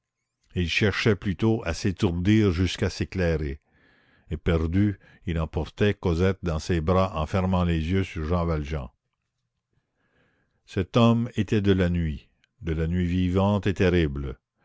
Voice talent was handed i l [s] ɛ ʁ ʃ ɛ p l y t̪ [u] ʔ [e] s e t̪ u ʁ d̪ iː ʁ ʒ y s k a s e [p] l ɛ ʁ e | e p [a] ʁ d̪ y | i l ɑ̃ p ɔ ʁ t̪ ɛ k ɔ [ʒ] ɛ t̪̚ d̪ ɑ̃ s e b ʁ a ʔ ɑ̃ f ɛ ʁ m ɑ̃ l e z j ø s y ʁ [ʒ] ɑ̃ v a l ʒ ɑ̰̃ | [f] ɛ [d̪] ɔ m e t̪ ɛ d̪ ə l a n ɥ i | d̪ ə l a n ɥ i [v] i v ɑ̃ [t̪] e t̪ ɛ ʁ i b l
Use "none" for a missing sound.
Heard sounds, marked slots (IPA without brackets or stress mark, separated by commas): ʃ, o, a, k, ɛ, z, ʒ, s, t̪, v, t̪